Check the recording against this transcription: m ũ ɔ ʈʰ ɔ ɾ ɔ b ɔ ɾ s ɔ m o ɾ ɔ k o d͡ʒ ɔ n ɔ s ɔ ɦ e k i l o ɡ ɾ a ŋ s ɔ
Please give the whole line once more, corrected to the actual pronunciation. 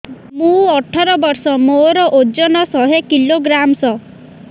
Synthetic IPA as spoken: m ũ ɔ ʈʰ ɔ ɾ ɔ b ɔ ɾ s ɔ m o ɾ ɔ ʔ o d͡ʒ ɔ n ɔ s ɔ ɦ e k i l o ɡ ɾ a m s ɔ